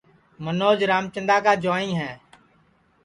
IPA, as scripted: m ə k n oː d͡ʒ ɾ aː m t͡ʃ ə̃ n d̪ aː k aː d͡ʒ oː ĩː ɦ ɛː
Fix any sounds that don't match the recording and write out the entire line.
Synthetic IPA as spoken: m ə n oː d͡ʒ ɾ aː m t͡ʃ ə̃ n d̪ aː k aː d͡ʒ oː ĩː ɦ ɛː